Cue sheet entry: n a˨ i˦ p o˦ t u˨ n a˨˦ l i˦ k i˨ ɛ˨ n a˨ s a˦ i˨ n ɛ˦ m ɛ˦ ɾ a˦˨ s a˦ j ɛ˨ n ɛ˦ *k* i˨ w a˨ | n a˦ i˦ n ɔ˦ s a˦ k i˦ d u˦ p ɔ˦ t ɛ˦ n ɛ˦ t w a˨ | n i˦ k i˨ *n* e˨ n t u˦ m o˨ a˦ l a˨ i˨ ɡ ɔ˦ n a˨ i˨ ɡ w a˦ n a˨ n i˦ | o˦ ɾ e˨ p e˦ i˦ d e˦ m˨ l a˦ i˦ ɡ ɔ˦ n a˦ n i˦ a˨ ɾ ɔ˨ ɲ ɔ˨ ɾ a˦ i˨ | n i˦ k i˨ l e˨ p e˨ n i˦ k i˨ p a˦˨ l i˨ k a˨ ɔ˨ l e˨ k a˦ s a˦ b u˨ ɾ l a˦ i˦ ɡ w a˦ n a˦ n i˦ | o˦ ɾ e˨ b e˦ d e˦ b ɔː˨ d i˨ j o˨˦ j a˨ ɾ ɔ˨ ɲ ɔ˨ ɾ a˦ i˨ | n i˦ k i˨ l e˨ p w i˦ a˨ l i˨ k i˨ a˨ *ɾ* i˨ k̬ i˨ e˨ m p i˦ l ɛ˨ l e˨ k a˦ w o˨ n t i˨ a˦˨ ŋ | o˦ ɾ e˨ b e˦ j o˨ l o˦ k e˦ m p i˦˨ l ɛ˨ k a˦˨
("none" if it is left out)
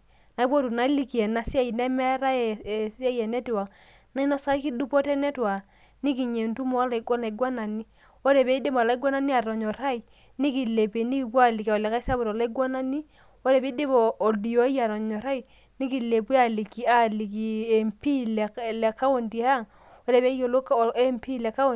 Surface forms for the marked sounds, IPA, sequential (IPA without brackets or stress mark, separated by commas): t, ɲ, l